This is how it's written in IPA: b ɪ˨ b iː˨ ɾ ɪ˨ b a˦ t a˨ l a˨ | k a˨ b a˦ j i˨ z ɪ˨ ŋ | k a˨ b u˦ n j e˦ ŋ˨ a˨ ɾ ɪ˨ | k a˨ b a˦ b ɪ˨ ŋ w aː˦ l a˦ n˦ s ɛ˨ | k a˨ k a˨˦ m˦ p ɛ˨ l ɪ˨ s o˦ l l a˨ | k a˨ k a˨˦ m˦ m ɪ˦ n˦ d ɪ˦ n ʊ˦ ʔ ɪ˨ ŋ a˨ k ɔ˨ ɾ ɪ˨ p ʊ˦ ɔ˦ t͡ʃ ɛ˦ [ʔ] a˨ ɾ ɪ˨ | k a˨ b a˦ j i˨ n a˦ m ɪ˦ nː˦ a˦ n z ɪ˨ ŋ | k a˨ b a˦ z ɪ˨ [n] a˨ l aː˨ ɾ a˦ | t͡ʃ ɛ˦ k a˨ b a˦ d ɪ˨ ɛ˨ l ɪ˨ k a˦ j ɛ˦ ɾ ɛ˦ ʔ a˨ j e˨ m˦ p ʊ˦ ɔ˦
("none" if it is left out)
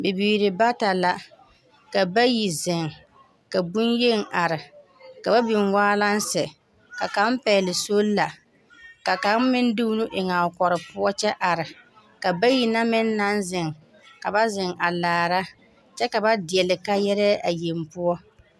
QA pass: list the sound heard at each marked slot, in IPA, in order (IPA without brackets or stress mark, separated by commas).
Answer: ʔ, ŋ